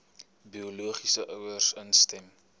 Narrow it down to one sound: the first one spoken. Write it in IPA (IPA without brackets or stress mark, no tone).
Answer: b